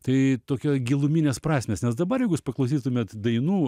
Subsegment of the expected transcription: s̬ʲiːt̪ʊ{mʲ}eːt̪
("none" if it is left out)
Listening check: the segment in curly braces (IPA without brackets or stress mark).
mʲ